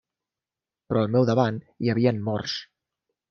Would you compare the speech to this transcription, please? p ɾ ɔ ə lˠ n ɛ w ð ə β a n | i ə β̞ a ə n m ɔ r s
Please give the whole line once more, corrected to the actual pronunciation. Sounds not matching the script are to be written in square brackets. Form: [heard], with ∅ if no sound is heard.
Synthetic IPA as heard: p ɾ ɔ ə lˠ [m] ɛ w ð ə β a n | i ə β̞ [i] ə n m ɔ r s